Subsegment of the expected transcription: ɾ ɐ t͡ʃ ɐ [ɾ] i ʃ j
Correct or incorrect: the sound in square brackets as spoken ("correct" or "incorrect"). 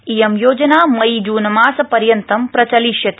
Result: incorrect